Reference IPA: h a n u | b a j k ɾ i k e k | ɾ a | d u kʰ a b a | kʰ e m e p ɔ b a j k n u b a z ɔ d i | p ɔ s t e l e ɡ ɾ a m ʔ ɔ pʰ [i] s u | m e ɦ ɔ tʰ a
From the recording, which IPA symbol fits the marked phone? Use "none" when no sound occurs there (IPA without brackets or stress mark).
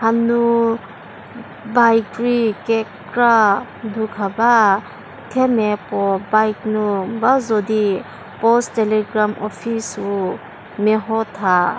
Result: i